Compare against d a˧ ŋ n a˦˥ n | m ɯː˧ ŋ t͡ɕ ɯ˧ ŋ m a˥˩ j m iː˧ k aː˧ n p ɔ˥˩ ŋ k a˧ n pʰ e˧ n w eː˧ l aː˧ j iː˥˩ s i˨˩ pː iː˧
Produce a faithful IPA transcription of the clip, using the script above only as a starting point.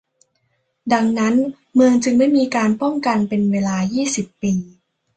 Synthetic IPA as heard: d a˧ ŋ n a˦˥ n | m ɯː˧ ŋ t͡ɕ ɯ˧ ŋ m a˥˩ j m iː˧ k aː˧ n p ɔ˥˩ ŋ k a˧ n p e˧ n w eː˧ l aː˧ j iː˥˩ s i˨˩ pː iː˧